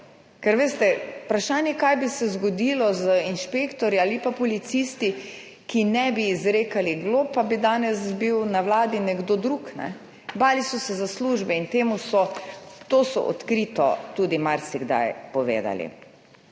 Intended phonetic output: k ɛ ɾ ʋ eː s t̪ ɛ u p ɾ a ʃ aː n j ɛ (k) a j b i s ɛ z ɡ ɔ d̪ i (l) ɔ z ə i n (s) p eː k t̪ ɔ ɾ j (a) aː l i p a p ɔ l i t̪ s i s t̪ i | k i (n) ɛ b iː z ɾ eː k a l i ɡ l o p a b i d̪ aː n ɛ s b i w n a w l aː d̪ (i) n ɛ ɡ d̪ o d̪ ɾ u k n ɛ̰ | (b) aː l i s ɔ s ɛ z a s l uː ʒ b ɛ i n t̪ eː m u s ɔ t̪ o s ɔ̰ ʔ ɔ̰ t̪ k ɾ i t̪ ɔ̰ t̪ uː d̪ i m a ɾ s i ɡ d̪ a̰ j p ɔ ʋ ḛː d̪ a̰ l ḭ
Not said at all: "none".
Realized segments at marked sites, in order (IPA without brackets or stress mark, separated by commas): k, l, ʃ, i, n, i, b